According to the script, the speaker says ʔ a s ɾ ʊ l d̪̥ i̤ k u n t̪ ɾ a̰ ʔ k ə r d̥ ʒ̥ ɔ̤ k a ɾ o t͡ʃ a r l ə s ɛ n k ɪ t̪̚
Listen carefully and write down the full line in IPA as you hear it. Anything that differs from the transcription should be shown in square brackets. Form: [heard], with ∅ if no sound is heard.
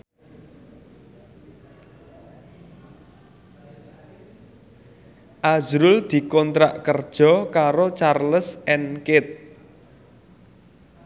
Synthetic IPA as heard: ʔ a [z] ɾ ʊ l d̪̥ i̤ k [ɔ] n t̪ ɾ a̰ ʔ k ə r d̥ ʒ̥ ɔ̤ k a ɾ o t͡ʃ a r l ə s ɛ n k ɪ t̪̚